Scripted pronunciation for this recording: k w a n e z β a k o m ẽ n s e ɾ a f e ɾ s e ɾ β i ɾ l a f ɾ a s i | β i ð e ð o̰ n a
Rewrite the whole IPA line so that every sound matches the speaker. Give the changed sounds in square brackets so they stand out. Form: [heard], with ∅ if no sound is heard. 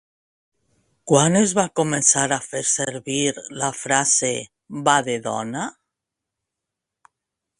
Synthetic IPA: k w a n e z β a k o m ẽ n s [a] ɾ a f e ɾ s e ɾ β i ɾ l a f ɾ a s [e] | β [a] ð e ð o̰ n a